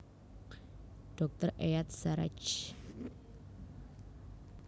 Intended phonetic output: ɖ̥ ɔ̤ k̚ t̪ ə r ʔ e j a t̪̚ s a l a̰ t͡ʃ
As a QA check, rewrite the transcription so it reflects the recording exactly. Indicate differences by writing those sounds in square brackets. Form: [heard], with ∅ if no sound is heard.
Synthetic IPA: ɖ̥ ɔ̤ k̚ t̪ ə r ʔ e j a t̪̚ s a [ɾ] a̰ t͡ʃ

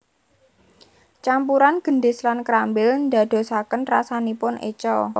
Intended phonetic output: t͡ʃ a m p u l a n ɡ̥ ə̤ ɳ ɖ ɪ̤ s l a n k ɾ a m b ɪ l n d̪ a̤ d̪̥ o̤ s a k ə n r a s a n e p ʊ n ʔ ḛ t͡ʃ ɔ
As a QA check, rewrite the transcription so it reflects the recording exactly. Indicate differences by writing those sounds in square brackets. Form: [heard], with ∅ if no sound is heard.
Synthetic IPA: t͡ʃ a m p u [ɾ] a n ɡ̥ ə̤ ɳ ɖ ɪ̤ s l a n k ɾ a m b ɪ l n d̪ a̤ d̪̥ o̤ s a k ə n r a s a n [i] p ʊ n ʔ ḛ t͡ʃ ɔ

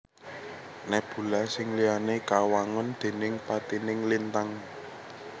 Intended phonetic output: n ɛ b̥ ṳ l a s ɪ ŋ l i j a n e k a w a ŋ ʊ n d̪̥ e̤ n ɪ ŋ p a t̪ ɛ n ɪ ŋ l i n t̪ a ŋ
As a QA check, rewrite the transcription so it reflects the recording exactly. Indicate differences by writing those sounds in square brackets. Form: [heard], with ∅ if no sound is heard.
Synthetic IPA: n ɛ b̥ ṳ l a s ɪ ŋ l i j a n e k a w a ŋ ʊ n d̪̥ e̤ n ɪ ŋ p a t̪ [i] n ɪ ŋ l i n t̪ a ŋ

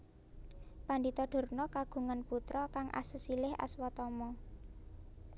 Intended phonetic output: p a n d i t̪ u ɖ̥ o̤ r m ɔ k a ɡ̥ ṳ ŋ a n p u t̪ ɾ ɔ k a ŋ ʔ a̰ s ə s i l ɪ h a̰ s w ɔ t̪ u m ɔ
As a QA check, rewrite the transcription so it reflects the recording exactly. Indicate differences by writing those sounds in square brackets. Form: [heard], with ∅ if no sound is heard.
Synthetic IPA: p a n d i t̪ [ɔ] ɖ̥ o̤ r [n] ɔ k a ɡ̥ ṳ ŋ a n p u t̪ ɾ ɔ k a ŋ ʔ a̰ s ə s i l ɪ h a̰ s w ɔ t̪ [ɔ] m ɔ

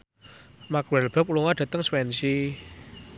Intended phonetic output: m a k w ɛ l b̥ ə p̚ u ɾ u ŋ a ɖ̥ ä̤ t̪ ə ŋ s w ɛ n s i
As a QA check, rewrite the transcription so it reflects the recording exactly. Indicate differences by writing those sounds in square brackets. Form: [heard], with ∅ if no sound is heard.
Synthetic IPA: m a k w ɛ l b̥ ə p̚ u [l] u ŋ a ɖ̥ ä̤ t̪ ə ŋ s w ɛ n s i

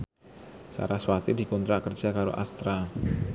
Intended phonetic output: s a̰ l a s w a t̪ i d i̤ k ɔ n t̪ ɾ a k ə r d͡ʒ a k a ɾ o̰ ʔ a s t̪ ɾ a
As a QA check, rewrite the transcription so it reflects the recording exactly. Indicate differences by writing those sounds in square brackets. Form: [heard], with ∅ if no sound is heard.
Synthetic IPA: s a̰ [ɾ] a s w a t̪ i d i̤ k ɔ n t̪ ɾ a k ə r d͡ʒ a k a ɾ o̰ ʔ a s t̪ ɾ a

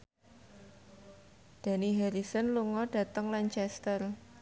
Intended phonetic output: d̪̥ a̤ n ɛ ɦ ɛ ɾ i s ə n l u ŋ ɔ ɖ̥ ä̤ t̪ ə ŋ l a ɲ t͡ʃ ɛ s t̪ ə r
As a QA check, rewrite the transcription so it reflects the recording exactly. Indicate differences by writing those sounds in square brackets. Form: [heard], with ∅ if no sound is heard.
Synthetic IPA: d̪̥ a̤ n [i] ɦ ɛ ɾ i s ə n l u ŋ ɔ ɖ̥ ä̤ t̪ ə ŋ l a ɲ t͡ʃ ɛ s t̪ ə r

